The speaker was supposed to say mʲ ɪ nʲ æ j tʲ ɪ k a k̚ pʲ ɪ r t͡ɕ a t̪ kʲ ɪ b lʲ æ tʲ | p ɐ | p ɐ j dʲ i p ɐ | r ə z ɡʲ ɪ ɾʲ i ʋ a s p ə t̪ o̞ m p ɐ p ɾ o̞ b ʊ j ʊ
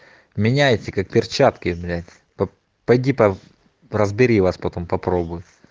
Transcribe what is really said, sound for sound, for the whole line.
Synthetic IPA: mʲ ɪ nʲ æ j tʲ ɪ k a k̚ pʲ ɪ r t͡ɕ a t̪ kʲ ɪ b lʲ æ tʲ | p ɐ | p ɐ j dʲ i p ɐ | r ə z bʲ ɪ ɾʲ i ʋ a s p ɐ t̪ o̞ m p ɐ p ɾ o̞ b ʊ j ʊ